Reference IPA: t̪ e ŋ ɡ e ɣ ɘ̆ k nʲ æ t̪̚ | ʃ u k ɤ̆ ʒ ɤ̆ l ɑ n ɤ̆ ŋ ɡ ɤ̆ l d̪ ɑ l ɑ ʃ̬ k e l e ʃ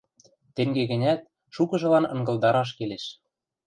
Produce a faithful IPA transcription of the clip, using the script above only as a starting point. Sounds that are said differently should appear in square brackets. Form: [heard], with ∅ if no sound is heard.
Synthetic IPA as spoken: t̪ e ŋ ɡ e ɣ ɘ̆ [∅] nʲ æ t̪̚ | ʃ u k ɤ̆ ʒ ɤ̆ l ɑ n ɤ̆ ŋ ɡ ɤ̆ l d̪ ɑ [ɾ] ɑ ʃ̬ k e l e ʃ

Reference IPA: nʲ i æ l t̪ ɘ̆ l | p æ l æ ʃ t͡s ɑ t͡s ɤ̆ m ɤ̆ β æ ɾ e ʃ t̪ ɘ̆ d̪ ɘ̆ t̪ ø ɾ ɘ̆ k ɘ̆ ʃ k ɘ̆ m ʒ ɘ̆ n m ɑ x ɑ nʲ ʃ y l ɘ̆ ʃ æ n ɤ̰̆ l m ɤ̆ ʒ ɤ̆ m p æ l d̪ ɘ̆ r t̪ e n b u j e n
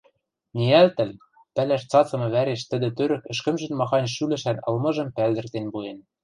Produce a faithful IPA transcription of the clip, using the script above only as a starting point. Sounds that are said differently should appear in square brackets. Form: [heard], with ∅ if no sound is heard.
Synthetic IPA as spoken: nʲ i æ l t̪ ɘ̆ l | p æ l æ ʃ t͡s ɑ t͡s ɤ̆ m ɤ̆ β æ ɾ e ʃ t̪ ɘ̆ d̪ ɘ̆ t̪ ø ɾ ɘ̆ k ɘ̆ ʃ k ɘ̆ m ʒ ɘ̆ n m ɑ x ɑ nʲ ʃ y l ɘ̆ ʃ æ n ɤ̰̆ l m ɤ̆ ʒ ɤ̆ m p æ l d̪ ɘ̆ r t̪ e n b u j e n

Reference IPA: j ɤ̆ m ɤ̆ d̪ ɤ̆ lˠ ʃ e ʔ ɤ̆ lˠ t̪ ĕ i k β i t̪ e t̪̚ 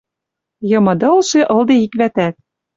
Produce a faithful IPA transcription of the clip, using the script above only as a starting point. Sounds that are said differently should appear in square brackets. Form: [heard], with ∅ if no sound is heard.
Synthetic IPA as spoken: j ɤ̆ m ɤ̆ d̪ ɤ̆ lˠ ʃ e ʔ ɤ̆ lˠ [d̪] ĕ i k β [æ] t̪ [æ] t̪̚

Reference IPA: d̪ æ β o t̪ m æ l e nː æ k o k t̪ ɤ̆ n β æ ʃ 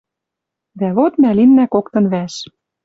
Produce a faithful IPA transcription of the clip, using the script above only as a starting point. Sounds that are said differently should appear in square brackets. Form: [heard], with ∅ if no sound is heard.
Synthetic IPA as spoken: d̪ æ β o t̪ m æ l [i] nː æ k o k t̪ ɤ̆ n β æ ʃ

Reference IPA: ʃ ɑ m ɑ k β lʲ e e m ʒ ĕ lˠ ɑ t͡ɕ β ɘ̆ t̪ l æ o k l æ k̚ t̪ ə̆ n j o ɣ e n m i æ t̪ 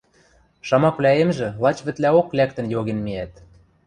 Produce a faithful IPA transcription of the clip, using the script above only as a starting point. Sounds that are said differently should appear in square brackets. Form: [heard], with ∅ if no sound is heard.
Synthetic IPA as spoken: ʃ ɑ m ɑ k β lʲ [æ] e m ʒ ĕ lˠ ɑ t͡ɕ β ɘ̆ t̪ l æ o k l æ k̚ t̪ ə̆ n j o ɣ e n m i æ t̪

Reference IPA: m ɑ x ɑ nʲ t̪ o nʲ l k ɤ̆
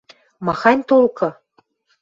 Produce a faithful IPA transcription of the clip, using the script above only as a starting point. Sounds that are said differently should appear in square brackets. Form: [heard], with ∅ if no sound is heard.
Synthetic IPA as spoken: m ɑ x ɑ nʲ t̪ o [∅] l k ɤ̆

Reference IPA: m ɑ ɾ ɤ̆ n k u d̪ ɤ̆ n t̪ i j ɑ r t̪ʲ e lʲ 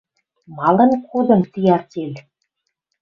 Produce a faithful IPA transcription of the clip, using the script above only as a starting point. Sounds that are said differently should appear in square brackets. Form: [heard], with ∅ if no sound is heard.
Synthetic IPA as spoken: m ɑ [l] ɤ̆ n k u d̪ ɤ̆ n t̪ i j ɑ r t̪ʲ e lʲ

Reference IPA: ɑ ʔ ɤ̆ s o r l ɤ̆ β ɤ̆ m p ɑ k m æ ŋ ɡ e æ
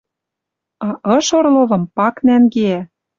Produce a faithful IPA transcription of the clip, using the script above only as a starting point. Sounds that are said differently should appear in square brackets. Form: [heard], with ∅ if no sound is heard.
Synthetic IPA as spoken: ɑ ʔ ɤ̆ [ʃ] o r l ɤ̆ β ɤ̆ m p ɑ k [n] æ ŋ ɡ e æ

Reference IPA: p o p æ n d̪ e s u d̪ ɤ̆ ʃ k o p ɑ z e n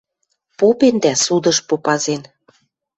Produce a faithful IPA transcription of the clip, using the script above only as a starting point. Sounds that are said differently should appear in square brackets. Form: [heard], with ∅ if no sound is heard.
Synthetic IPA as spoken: p o p [e] n d̪ [æ] s u d̪ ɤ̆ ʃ [p] o p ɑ z e n

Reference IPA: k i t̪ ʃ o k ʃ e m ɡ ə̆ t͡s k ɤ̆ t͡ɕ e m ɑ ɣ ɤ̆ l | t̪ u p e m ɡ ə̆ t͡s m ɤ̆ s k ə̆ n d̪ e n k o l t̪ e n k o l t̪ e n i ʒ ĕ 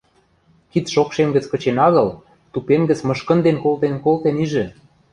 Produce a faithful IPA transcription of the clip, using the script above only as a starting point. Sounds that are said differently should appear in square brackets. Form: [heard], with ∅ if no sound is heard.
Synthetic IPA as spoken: k i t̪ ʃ o k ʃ e m ɡ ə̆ t͡s k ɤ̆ t͡ɕ e [n] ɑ ɣ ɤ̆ l | t̪ u p e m ɡ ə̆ t͡s m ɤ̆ [ʃ] k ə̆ n d̪ e n k o l t̪ e n k o l t̪ e n i ʒ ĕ

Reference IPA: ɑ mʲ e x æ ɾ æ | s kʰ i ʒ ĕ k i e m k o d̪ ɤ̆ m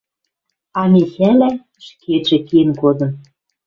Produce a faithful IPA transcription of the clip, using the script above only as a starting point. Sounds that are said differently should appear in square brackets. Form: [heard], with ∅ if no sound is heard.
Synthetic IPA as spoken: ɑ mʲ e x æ [l] æ | [ʃ] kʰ [e] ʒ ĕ k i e [n] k o d̪ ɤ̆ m

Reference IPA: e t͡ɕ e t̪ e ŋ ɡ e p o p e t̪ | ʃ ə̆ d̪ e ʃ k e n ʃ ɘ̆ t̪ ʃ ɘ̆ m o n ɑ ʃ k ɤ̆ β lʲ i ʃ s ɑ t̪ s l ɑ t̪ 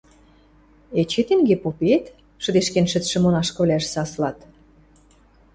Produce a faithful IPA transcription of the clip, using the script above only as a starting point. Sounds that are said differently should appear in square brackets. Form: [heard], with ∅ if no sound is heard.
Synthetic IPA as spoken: e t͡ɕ e t̪ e ŋ ɡ e p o p e t̪ | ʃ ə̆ d̪ e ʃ k e n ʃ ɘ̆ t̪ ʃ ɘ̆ m o n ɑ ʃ k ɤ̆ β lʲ [æ] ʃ s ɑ [∅] s l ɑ t̪

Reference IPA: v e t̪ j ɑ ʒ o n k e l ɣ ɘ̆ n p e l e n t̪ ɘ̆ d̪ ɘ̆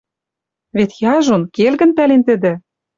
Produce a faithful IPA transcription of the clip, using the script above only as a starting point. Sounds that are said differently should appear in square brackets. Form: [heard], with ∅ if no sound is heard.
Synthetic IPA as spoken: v e t̪ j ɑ ʒ o n k e l ɣ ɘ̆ n p [æ] l e n t̪ ɘ̆ d̪ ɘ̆

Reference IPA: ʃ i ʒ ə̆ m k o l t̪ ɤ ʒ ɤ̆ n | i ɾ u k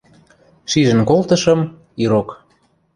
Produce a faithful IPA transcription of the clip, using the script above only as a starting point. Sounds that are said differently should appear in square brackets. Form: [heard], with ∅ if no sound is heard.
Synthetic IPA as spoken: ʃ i ʒ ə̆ [n] k o l t̪ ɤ [ʃ] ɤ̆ [m] | i ɾ [o] k

